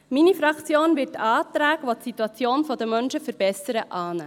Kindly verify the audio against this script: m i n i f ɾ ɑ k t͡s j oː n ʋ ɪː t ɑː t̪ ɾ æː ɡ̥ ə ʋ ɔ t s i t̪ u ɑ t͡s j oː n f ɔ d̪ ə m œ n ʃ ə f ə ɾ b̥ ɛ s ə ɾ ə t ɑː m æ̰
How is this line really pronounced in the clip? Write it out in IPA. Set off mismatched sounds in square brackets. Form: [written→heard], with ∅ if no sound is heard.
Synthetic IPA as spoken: m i n i f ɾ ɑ k t͡s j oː n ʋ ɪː t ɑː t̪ ɾ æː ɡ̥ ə ʋ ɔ t s i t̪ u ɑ t͡s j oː n f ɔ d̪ ə m œ n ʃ ə f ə ɾ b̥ ɛ s ə ɾ ə [t→ʔ] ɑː [m→n] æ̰